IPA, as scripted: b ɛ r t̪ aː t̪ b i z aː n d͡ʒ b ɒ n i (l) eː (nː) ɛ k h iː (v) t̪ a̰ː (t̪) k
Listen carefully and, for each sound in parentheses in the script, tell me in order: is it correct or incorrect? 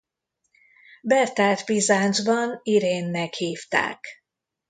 incorrect, correct, incorrect, incorrect

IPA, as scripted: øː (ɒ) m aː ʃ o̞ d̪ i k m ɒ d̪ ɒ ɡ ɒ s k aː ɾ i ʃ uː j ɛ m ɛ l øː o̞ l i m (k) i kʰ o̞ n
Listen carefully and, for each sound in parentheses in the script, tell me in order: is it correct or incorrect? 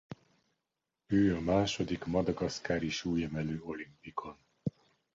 correct, incorrect

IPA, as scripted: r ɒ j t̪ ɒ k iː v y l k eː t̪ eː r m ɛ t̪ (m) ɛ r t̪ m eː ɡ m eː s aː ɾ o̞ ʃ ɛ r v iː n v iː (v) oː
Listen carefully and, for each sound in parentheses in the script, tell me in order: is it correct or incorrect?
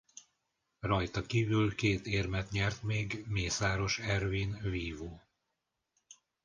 incorrect, correct

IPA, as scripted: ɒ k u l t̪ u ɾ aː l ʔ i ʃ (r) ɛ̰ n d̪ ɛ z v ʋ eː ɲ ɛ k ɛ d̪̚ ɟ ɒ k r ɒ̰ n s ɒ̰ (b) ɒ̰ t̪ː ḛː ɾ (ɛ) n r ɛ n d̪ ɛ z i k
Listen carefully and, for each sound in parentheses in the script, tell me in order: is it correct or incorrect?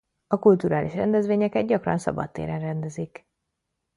correct, correct, correct

